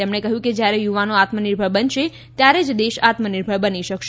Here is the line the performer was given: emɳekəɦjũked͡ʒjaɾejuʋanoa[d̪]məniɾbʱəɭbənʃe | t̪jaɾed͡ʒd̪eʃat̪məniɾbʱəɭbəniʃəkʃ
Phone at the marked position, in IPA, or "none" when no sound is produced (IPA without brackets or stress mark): t̪